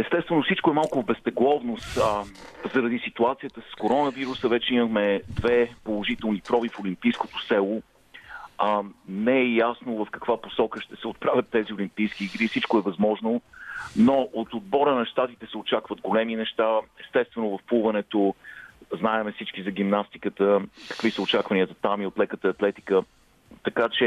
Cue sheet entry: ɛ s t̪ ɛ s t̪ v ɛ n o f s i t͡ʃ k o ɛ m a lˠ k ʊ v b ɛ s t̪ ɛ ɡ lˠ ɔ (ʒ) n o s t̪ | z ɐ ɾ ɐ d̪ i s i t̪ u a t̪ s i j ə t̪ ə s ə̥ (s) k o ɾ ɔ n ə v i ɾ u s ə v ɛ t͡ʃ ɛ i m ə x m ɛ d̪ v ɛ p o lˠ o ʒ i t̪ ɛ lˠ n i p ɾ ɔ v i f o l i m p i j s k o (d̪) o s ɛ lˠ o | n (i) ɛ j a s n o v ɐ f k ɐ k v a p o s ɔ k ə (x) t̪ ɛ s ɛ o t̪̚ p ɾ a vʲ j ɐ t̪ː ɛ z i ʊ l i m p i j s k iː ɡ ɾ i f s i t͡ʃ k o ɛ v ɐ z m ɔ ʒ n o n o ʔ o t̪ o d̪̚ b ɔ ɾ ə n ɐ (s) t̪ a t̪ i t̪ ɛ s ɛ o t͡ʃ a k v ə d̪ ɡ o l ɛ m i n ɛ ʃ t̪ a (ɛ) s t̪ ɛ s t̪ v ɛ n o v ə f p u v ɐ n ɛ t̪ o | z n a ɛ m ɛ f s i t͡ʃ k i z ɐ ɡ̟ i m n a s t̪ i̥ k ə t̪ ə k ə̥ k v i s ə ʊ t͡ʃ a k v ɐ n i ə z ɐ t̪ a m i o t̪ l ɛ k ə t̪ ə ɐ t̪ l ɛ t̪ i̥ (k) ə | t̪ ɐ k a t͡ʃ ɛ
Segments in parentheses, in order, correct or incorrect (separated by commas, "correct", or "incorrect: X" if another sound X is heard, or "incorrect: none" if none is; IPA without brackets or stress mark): incorrect: v, correct, incorrect: t̪, incorrect: ɛ, incorrect: ʃ, incorrect: ʃ, correct, correct